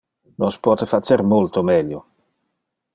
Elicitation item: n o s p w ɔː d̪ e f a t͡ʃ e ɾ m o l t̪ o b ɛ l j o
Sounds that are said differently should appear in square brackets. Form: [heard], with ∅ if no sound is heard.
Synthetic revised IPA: n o s p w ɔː [t̪] e f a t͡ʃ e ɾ m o l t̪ o [m] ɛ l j o